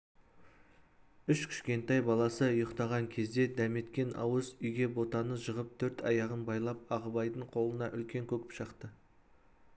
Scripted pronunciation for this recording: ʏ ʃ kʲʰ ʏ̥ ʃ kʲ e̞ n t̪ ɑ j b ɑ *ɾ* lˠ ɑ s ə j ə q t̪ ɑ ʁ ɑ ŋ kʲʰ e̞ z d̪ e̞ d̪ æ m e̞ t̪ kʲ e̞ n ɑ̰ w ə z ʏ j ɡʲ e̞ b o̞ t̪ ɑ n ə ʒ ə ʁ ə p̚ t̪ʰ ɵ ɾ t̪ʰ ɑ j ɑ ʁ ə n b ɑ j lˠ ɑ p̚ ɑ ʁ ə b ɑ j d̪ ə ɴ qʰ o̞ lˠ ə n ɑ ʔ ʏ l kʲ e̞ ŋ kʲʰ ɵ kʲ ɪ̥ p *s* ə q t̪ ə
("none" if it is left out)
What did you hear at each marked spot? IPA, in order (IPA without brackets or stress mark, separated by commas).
none, ʃ